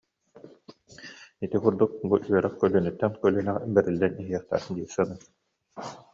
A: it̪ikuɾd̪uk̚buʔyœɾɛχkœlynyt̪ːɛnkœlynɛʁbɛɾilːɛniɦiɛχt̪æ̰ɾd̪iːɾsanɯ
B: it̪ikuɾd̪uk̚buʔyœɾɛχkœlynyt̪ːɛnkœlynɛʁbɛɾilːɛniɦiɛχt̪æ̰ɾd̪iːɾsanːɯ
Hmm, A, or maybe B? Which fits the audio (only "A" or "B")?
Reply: A